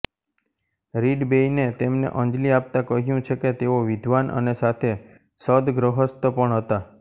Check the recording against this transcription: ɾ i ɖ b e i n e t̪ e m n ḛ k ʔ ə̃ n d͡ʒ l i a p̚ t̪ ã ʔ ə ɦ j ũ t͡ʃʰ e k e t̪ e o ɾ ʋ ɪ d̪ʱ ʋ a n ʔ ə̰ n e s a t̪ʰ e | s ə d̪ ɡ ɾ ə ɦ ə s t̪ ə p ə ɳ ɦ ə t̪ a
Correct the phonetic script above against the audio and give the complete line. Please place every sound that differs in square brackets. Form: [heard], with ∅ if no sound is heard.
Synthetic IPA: ɾ i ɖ b e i n e t̪ e m n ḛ [∅] ʔ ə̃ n d͡ʒ l i a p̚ t̪ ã [k] ə ɦ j ũ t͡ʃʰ e k e t̪ e o [∅] ʋ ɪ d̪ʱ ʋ a n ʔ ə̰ n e s a t̪ʰ e | s ə d̪ ɡ ɾ ə ɦ ə s t̪ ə p ə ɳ ɦ ə t̪ a